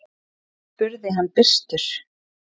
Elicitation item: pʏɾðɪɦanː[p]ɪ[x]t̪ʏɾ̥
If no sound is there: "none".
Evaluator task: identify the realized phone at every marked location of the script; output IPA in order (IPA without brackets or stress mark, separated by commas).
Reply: p, s